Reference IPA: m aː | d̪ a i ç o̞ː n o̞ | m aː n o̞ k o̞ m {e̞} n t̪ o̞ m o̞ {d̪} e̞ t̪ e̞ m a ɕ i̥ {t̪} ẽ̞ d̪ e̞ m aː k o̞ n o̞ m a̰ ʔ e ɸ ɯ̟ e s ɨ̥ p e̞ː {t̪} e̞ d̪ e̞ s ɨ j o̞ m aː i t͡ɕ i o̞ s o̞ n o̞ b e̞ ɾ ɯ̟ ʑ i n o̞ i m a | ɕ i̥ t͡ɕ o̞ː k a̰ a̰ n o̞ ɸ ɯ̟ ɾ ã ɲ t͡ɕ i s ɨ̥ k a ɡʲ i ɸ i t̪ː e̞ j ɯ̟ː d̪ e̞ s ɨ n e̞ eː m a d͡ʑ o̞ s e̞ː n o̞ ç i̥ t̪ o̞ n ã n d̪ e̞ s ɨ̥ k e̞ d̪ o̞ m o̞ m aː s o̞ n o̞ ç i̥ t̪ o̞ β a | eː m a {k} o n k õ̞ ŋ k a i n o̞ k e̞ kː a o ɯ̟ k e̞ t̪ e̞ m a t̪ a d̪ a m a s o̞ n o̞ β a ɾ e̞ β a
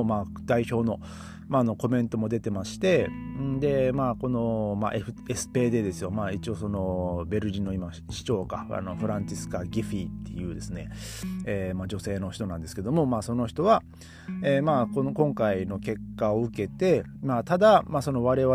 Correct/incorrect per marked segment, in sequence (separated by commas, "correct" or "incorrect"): incorrect, correct, correct, incorrect, correct